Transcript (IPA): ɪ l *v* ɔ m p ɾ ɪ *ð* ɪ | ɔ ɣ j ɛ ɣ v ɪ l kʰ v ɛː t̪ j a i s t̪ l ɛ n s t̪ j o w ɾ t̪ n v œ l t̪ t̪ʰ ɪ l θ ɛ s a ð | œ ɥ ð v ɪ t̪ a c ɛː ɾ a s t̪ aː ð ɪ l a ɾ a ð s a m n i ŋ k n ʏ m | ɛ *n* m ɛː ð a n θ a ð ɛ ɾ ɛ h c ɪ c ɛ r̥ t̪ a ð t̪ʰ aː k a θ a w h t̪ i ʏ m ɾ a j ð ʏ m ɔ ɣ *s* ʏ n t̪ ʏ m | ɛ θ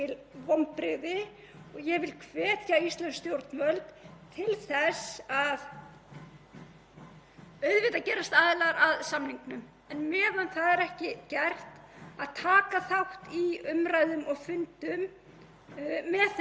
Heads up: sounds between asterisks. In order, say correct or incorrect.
correct, correct, correct, incorrect: f

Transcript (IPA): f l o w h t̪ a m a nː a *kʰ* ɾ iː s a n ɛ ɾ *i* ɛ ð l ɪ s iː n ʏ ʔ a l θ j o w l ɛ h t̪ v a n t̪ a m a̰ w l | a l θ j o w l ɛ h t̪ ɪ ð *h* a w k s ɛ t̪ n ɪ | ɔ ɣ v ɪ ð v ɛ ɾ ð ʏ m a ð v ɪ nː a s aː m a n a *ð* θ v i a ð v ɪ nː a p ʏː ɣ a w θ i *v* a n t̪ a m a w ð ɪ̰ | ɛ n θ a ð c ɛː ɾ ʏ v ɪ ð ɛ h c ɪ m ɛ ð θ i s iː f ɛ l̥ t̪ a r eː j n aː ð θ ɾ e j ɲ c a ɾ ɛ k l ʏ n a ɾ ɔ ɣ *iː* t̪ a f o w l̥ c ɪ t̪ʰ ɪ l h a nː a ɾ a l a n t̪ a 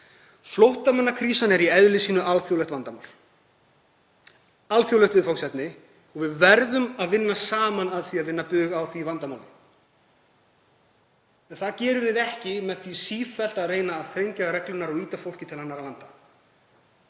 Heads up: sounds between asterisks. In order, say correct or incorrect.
correct, correct, incorrect: f, correct, correct, correct

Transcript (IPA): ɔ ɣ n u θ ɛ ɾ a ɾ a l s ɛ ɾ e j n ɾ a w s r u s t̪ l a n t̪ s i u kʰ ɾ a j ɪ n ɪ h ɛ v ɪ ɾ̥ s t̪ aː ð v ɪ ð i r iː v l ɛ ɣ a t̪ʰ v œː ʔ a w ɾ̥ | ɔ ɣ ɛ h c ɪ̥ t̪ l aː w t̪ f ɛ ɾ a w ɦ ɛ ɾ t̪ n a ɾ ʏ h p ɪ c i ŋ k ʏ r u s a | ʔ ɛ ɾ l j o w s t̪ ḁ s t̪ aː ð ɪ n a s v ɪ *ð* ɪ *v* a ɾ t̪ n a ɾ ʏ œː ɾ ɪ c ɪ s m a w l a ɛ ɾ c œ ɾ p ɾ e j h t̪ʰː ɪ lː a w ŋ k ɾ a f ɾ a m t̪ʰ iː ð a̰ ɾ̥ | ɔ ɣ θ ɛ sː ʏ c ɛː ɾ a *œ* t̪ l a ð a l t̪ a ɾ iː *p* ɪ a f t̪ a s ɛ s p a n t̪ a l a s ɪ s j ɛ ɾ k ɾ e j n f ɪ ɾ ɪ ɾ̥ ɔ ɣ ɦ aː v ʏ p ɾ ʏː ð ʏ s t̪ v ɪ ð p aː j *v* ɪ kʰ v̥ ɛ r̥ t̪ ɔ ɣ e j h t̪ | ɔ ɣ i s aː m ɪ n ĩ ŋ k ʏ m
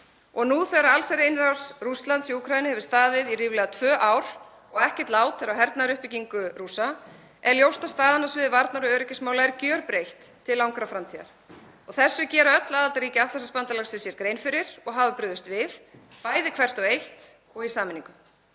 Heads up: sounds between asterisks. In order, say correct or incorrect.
correct, correct, correct, incorrect: c, incorrect: ð

